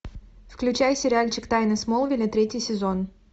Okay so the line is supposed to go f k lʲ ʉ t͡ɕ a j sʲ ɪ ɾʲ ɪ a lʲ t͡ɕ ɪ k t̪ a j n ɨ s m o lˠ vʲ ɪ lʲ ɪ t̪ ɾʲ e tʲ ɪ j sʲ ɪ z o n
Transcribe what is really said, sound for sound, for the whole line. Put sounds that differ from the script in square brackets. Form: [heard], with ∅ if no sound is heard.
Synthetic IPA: f k lʲ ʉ t͡ɕ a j sʲ ɪ ɾʲ ɪ a lʲ t͡ɕ ɪ k t̪ a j n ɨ s m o lˠ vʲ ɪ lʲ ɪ t̪ ɾʲ e tʲ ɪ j sʲ ɪ z o n

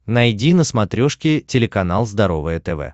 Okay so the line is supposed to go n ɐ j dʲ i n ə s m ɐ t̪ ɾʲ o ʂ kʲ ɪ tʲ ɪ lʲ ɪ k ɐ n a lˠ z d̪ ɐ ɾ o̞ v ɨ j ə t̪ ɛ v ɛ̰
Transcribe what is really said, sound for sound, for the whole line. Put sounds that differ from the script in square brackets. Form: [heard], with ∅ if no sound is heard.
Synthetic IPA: n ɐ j dʲ i n ə s m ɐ t̪ ɾʲ o ʂ kʲ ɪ tʲ ɪ lʲ ɪ k ɐ n a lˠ z d̪ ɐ ɾ o̞ v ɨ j ə t̪ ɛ v ɛ̰

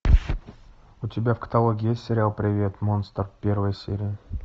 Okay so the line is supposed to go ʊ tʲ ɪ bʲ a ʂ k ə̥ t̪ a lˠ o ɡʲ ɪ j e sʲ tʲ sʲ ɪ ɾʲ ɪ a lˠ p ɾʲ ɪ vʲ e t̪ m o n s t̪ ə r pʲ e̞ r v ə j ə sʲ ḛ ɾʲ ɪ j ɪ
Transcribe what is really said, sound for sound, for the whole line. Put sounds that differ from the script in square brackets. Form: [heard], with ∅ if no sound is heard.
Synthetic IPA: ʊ tʲ ɪ bʲ a [f] k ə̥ t̪ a lˠ o ɡʲ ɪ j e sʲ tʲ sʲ ɪ ɾʲ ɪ a lˠ p ɾʲ ɪ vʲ e t̪ m o n s t̪ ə r pʲ e̞ r v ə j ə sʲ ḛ ɾʲ ɪ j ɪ

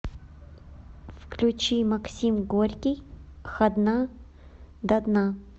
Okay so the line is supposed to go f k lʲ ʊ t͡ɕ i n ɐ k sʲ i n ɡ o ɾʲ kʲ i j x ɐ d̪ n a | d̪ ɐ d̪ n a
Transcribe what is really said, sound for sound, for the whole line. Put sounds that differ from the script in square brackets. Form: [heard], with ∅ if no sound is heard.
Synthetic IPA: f k lʲ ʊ t͡ɕ i [m] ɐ k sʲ i [m] ɡ o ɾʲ kʲ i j x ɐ d̪ n a | d̪ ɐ d̪ n a

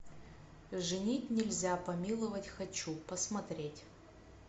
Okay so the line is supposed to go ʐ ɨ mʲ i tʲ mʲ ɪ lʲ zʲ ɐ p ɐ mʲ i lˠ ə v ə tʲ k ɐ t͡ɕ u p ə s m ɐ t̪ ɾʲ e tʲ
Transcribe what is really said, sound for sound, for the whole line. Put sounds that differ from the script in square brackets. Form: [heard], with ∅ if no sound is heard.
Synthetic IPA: ʐ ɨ [nʲ] i tʲ [nʲ] ɪ lʲ zʲ [a] p ɐ mʲ i lˠ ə v ə tʲ [x] ɐ t͡ɕ u p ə s m ɐ t̪ ɾʲ e tʲ

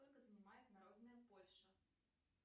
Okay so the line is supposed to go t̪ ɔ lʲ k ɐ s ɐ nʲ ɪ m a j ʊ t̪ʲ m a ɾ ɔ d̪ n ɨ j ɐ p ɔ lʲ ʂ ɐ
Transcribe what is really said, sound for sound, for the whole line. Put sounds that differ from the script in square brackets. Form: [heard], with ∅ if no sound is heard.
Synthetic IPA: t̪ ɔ lʲ k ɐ [z] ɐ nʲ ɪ m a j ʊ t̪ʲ [n] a ɾ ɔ d̪ n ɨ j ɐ p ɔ lʲ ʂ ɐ

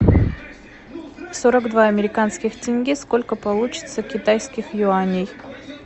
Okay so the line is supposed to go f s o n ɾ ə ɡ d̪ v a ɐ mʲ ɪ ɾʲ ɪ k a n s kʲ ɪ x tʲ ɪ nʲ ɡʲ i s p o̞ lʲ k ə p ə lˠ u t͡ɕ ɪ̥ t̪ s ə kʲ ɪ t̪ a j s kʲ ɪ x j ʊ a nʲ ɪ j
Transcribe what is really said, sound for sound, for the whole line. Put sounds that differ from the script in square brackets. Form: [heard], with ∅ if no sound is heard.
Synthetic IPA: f s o [∅] ɾ ə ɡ d̪ v a ɐ mʲ ɪ ɾʲ ɪ k a n s kʲ ɪ x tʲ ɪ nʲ ɡʲ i s [k] o̞ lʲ k ə p [ɐ] lˠ u t͡ɕ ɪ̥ t̪ s ə kʲ ɪ t̪ a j s kʲ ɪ x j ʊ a nʲ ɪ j

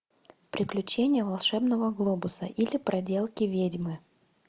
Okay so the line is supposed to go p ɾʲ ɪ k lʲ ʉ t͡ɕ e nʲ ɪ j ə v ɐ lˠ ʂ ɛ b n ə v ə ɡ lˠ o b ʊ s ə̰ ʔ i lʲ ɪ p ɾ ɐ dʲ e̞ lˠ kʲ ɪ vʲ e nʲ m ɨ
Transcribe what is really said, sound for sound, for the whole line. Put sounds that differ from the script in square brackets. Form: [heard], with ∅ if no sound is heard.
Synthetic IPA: p ɾʲ ɪ k lʲ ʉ t͡ɕ e nʲ ɪ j ə v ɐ lˠ ʂ ɛ b n ə v ə ɡ lˠ o b ʊ s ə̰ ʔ i lʲ ɪ p ɾ ɐ dʲ e̞ lˠ kʲ ɪ vʲ e [dʲ] m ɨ

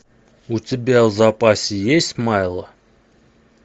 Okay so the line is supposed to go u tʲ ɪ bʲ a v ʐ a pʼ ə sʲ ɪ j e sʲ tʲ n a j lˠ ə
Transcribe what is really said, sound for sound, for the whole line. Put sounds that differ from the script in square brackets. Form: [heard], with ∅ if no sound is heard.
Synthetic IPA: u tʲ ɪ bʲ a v [z] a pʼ [a] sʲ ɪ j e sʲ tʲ [m] a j lˠ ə

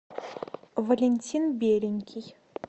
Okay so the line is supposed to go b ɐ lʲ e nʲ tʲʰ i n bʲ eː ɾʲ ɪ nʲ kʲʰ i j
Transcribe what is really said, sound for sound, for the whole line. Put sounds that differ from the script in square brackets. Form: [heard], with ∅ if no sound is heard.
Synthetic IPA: [v] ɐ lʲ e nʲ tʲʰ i n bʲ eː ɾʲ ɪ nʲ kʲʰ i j

